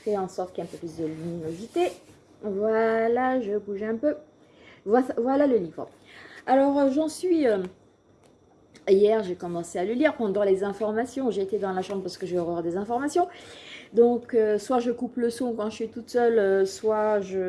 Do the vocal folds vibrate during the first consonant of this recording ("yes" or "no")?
no